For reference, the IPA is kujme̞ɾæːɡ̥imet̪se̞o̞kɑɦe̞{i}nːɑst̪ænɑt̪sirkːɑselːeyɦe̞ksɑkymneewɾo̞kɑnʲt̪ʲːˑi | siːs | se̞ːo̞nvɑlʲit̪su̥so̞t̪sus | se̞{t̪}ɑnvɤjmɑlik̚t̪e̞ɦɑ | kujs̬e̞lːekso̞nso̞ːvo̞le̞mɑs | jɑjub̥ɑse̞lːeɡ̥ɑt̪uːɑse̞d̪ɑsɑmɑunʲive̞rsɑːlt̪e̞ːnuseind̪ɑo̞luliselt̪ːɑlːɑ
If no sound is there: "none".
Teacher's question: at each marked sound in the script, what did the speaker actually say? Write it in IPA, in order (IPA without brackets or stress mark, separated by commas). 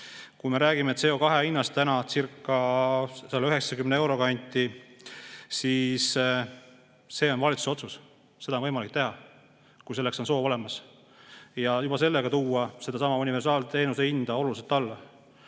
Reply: i, d̪